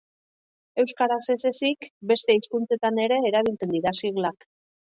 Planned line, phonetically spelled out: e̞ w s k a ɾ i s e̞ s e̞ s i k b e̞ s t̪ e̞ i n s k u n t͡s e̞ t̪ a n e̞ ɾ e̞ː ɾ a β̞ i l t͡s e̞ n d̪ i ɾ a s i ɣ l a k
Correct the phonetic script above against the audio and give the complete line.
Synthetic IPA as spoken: e̞ w s k a ɾ a s e̞ s e̞ s i k b e̞ s t̪ e̞ i s k u n t͡s e̞ t̪ a n e̞ ɾ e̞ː ɾ a β̞ i l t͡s e̞ n d̪ i ɾ a s i ɣ l a k